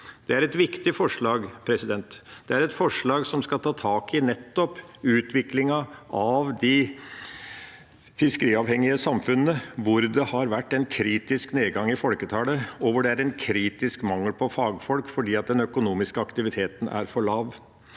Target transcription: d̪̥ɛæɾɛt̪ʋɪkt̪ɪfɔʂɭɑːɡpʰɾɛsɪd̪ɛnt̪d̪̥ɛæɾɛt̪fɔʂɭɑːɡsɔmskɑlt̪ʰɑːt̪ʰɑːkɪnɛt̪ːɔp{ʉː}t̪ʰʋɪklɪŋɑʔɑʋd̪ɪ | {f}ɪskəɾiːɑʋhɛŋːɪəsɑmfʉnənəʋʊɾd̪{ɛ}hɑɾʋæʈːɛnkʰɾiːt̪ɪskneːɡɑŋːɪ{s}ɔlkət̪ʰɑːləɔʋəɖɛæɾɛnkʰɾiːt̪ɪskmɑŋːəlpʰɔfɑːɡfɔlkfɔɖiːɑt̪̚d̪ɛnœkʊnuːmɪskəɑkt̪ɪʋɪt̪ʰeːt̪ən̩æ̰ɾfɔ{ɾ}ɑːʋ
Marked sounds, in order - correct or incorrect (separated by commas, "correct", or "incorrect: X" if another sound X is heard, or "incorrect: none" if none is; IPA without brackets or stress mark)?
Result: correct, correct, correct, incorrect: f, incorrect: ɭ